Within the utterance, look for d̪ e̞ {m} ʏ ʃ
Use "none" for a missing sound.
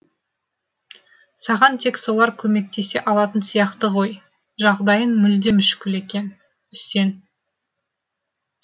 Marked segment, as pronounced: m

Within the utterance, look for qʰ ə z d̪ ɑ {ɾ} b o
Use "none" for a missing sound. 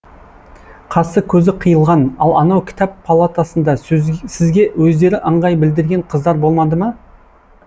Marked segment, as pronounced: ɾ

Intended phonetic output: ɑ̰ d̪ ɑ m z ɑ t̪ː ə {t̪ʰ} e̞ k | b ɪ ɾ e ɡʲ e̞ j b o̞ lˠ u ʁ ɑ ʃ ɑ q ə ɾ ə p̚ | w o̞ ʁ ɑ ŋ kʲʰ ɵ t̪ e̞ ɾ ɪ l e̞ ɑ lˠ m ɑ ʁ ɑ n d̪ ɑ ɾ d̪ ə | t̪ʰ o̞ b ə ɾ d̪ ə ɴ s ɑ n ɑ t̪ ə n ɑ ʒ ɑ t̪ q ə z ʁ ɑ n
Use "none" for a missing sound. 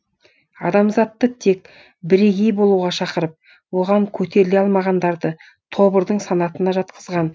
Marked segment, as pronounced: t̪ʰ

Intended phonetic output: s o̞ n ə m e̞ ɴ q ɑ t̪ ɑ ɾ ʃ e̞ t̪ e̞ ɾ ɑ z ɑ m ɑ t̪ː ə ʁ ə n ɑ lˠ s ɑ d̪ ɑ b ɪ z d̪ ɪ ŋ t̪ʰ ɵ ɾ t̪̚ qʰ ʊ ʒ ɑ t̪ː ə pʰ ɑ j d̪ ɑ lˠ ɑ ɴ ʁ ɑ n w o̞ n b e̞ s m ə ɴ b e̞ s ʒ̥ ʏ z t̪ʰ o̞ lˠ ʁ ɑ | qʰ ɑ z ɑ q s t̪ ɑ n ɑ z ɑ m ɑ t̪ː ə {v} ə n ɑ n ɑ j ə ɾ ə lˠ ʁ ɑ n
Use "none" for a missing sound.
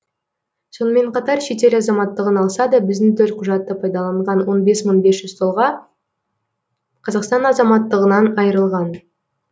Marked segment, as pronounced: ʁ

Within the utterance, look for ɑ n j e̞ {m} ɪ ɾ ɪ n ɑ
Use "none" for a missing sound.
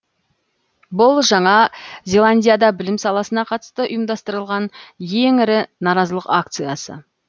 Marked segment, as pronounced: ŋ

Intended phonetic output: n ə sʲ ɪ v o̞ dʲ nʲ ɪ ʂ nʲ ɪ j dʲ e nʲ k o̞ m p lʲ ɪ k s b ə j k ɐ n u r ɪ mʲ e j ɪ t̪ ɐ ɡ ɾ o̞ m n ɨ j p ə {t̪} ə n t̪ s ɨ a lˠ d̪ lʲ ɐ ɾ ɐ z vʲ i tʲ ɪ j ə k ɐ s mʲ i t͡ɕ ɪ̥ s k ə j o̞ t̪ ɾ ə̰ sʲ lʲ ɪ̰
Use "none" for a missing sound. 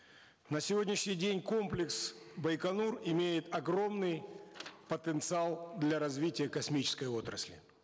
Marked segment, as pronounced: t̪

